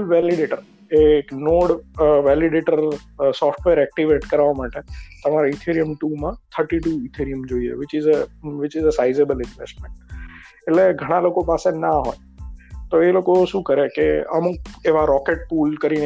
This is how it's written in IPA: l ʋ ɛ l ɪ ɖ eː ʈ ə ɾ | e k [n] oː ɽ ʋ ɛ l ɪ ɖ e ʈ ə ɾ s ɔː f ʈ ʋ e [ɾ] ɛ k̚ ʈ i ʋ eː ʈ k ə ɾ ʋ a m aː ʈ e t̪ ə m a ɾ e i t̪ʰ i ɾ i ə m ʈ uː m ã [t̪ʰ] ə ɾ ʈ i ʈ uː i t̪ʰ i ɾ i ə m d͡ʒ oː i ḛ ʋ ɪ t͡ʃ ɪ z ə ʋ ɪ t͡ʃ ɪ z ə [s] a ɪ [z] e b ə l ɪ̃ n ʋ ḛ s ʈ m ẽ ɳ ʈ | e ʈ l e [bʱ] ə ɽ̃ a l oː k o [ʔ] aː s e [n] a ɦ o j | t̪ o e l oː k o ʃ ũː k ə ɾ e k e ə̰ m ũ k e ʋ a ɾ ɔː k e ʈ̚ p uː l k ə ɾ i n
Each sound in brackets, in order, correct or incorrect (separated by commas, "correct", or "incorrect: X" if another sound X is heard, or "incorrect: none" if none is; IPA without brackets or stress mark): correct, correct, correct, correct, correct, incorrect: ɡʱ, incorrect: p, correct